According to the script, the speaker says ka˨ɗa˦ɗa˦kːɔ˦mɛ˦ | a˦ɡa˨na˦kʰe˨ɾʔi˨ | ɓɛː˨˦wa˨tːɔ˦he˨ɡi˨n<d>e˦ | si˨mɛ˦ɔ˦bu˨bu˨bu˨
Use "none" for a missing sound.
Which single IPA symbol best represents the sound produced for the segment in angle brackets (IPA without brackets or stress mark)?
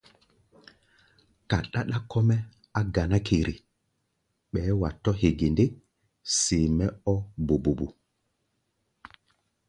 d